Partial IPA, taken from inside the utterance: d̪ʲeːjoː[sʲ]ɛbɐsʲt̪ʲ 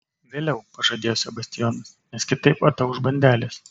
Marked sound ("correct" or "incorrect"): correct